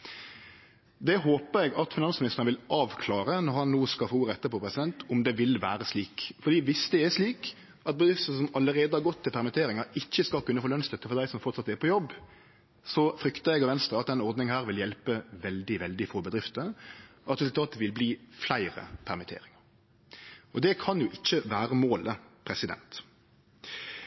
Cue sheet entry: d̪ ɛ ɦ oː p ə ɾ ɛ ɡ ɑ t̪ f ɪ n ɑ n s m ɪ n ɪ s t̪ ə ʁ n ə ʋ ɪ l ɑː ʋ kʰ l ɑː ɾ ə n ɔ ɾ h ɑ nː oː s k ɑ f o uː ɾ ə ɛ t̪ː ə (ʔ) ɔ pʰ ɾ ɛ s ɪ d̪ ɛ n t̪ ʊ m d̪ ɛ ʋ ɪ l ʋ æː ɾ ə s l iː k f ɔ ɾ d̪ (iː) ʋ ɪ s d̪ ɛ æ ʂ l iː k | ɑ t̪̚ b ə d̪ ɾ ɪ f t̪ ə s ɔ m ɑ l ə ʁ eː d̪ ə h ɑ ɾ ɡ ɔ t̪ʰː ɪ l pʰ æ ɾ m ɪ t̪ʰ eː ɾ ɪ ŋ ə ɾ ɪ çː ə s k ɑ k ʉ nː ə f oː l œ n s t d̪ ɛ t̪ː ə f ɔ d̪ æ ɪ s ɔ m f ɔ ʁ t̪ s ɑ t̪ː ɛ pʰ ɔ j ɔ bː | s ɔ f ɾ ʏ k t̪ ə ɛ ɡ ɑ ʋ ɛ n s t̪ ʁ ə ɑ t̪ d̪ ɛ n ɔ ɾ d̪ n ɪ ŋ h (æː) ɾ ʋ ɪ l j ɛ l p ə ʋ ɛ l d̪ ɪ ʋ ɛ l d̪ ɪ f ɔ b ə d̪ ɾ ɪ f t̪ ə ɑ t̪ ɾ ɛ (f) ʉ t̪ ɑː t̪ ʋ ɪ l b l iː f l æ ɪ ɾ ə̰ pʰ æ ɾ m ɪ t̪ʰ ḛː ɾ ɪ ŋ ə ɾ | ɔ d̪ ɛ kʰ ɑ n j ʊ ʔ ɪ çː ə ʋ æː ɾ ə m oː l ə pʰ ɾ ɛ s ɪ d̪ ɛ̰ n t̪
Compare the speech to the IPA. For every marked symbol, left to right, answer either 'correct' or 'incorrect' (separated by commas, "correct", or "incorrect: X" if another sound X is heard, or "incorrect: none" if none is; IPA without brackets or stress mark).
incorrect: p, correct, correct, incorrect: s